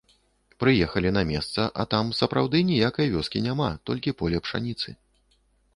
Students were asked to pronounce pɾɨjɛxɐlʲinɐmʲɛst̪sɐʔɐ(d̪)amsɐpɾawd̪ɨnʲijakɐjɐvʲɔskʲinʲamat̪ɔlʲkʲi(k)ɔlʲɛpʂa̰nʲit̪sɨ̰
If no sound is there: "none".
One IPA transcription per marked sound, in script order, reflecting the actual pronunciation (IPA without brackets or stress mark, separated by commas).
t̪, p